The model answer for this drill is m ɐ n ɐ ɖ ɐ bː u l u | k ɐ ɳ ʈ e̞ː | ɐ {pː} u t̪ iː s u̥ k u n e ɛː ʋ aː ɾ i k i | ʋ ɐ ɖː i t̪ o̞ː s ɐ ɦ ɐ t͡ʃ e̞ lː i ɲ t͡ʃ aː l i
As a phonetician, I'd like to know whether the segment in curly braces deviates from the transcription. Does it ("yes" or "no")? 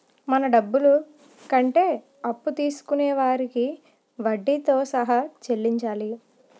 no